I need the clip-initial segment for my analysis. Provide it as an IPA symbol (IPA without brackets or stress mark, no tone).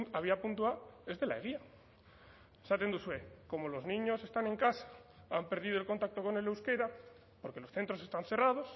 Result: a